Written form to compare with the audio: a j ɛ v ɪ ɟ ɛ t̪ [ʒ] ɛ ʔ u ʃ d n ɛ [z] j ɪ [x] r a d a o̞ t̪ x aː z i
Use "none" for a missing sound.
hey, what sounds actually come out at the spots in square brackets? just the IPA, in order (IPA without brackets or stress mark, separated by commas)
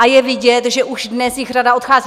ʒ, s, x